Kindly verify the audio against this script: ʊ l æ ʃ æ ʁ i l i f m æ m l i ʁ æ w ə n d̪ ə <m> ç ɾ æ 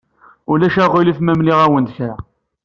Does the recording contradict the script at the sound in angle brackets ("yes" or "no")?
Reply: yes